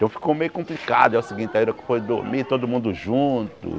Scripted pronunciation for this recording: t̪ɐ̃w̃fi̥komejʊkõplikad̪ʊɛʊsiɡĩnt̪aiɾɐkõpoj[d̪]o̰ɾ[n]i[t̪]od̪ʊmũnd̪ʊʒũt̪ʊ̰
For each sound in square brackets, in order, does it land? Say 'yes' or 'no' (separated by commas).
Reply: yes, no, yes